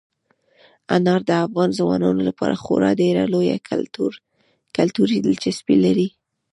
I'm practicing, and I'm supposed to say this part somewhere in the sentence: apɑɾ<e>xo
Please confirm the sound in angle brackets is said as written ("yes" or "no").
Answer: no